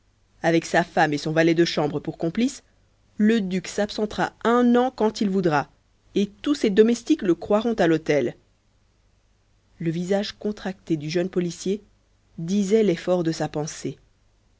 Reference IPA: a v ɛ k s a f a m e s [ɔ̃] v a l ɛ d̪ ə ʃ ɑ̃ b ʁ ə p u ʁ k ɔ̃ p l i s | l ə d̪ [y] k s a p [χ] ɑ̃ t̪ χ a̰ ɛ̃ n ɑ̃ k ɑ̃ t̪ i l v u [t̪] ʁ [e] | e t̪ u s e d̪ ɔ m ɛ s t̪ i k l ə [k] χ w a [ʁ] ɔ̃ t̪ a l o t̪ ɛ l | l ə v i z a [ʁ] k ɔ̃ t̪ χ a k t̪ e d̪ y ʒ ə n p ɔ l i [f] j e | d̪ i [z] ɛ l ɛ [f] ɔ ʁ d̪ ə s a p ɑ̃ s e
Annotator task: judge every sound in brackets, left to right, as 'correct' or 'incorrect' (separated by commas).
correct, correct, incorrect, incorrect, incorrect, correct, correct, incorrect, incorrect, correct, correct